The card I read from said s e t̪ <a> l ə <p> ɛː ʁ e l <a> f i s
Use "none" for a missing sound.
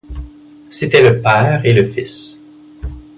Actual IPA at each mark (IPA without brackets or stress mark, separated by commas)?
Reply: ɛ, p, ə